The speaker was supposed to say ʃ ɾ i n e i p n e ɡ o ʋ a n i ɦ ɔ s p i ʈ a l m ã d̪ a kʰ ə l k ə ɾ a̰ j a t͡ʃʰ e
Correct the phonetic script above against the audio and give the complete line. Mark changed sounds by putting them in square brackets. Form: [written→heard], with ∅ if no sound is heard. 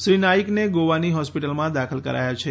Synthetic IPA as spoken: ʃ ɾ i n [e→a] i [p→k] n e ɡ o ʋ a n i ɦ ɔ s p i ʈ [a→ə] l m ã d̪ a kʰ ə l k ə ɾ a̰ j a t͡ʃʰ e